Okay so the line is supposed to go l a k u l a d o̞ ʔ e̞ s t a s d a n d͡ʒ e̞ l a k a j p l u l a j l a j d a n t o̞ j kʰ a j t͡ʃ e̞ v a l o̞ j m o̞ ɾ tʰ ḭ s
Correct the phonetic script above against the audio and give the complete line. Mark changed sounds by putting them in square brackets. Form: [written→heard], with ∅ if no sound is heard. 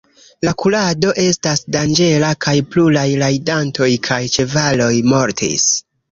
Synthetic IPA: l a k u l a d o̞ ʔ e̞ s t a s d a n d͡ʒ e̞ l a k a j p l u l a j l a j d a n t o̞ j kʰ a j t͡ʃ e̞ v a l o̞ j m o̞ ɾ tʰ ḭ s